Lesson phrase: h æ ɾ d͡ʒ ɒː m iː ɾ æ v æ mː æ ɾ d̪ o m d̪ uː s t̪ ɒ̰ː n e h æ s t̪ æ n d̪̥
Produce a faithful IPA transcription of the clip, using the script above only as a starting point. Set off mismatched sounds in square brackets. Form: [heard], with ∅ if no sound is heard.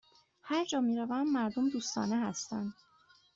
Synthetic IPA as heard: h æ ɾ d͡ʒ ɒː m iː ɾ æ v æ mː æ ɾ d̪ o m d̪ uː s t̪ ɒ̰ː n e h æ s t̪ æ n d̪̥